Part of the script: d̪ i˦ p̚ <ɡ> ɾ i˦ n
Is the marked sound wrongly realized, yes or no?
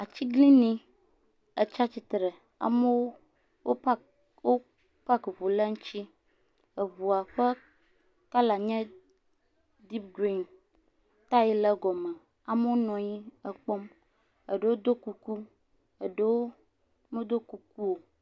no